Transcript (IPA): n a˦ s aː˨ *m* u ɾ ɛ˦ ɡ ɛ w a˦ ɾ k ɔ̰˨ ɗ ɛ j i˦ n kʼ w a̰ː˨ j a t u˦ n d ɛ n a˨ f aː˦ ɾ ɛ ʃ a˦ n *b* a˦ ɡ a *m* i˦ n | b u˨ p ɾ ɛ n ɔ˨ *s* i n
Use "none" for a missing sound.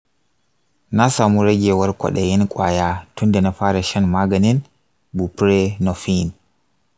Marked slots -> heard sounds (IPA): m, m, n, f

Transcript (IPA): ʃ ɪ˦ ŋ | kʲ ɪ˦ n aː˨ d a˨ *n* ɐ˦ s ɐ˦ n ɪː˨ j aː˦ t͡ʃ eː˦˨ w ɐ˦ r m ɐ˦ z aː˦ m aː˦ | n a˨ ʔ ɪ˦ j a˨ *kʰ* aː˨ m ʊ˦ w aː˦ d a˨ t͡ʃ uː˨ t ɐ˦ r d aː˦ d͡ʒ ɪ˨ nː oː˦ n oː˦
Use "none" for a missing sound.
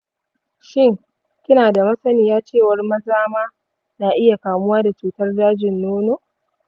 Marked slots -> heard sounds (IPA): m, k

